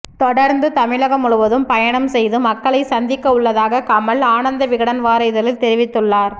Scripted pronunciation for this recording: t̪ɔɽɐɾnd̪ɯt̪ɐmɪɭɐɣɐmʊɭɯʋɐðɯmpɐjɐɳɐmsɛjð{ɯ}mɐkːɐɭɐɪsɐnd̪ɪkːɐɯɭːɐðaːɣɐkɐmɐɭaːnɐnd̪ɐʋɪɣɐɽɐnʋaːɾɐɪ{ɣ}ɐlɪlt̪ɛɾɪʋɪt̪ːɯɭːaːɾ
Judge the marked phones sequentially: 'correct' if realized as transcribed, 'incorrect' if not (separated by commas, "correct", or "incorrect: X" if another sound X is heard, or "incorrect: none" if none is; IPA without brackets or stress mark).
correct, incorrect: ð